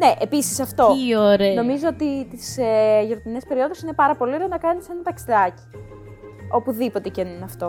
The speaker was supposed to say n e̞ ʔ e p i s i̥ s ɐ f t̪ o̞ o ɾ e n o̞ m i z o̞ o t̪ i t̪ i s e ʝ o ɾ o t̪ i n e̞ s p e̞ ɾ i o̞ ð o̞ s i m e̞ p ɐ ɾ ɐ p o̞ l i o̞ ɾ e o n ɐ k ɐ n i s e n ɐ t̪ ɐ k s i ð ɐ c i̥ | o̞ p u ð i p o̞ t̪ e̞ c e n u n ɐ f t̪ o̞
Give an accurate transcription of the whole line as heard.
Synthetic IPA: n e̞ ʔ e p i s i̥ s ɐ f t̪ o̞ o ɾ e n o̞ m i z o̞ o t̪ i t̪ i s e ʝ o ɾ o t̪ i n e̞ s p e̞ ɾ i o̞ ð o̞ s i n e̞ p ɐ ɾ ɐ p o̞ l i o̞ ɾ e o n ɐ k ɐ n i s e n ɐ t̪ ɐ k s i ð ɐ c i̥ | o̞ p u ð i p o̞ t̪ e̞ c e n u n ɐ f t̪ o̞